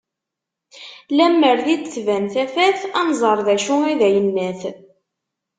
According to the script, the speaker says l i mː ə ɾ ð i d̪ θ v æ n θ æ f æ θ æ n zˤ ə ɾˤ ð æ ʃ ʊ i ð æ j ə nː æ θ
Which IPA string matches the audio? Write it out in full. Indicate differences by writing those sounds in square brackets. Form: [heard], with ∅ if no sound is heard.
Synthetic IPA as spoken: l [æ] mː ə ɾ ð i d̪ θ v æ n θ æ f æ θ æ n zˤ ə ɾˤ ð æ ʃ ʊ i ð æ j ə nː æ θ